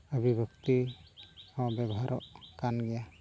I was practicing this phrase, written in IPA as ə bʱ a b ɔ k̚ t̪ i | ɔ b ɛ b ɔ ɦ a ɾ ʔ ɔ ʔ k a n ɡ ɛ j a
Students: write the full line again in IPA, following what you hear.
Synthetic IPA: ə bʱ i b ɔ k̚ t̪ i | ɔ b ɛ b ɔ ɦ a ɾ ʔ ɔ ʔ k a n ɡ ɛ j a

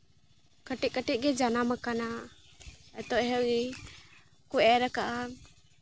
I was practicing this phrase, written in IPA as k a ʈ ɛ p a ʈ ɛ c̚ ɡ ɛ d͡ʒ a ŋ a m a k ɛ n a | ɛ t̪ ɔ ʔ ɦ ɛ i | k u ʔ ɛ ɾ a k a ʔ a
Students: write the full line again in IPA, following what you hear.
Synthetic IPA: k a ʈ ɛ k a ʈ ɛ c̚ ɡ ɛ d͡ʒ a n a m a k a n a | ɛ t̪ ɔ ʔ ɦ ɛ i | k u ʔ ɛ ɾ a k a ʔ a

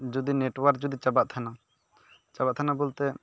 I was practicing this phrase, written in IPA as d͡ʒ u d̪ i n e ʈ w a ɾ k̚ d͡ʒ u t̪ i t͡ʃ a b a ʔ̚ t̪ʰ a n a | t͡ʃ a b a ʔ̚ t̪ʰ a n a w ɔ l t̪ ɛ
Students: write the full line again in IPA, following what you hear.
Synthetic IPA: d͡ʒ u d̪ i n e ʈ w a ɾ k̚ d͡ʒ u d̪ i t͡ʃ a b a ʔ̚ t̪ʰ a n a | t͡ʃ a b a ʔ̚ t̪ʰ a n a b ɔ l t̪ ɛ

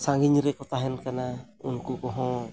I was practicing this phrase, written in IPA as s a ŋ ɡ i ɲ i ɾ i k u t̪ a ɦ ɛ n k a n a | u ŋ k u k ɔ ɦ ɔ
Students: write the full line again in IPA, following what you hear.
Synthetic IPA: s a ŋ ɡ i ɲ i ɾ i k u t̪ a ɦ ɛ n k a n a | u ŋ k u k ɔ ɦ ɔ

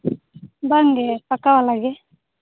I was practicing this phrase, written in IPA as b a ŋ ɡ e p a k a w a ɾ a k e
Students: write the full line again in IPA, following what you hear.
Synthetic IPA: b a ŋ ɡ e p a k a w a l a ɡ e

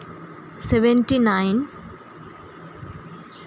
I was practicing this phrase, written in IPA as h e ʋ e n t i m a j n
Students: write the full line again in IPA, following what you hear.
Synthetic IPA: s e ʋ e n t i n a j n

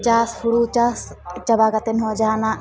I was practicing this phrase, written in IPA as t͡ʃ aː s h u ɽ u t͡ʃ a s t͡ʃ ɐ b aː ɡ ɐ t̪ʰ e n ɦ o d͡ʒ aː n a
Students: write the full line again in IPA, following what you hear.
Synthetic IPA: t͡ʃ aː s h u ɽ u t͡ʃ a s t͡ʃ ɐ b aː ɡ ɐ t̪ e n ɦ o d͡ʒ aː n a

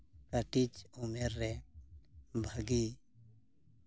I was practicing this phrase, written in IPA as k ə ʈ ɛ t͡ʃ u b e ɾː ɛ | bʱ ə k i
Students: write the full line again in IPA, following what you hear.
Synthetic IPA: k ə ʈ i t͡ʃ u m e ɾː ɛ | bʱ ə ɡ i

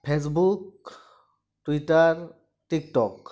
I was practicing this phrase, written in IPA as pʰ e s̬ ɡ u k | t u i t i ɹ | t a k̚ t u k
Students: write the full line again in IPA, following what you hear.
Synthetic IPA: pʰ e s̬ b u k | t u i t a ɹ | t i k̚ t ɔ k

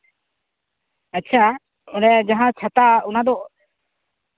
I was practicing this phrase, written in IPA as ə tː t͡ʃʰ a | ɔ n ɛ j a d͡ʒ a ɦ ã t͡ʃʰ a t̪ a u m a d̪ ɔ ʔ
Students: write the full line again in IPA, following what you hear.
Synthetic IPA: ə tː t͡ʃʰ a | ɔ n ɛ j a d͡ʒ a ɦ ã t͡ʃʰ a t̪ a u n a d̪ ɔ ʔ

